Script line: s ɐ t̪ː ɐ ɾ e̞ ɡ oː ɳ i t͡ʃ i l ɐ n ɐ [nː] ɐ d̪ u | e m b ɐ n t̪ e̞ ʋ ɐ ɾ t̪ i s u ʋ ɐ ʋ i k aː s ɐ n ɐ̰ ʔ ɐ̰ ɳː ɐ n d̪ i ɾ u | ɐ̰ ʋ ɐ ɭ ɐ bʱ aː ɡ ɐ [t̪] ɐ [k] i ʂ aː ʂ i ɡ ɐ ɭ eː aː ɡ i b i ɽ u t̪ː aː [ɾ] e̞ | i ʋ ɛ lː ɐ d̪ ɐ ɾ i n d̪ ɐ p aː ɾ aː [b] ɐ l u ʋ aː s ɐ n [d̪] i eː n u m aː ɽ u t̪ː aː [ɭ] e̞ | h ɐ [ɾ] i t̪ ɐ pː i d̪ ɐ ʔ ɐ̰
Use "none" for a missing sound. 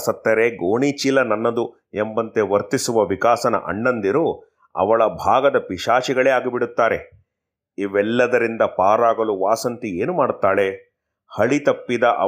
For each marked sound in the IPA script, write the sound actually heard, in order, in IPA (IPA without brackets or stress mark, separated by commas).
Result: nː, d̪, p, ɾ, ɡ, t̪, ɭ, ɭ